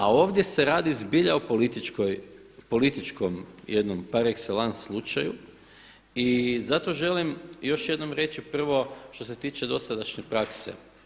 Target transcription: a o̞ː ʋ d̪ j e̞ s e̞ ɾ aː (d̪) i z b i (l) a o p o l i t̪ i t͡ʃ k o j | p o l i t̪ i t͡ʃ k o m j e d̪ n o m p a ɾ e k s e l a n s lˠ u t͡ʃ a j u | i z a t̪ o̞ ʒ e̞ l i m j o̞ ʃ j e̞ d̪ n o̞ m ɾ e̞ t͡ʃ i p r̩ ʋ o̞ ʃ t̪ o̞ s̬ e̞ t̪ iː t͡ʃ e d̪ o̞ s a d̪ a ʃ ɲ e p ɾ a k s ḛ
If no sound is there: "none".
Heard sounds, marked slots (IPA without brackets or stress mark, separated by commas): d̪, ʎ